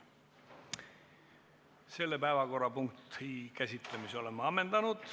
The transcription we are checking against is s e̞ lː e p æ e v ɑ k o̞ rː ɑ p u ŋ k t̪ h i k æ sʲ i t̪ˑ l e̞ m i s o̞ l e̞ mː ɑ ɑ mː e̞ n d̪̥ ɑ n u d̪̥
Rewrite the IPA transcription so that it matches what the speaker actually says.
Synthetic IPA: s e̞ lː e p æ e v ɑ k o̞ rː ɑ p u ŋ k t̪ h i k æ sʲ i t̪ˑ l e̞ m i s o̞ l e̞ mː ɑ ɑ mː e̞ n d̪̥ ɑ n u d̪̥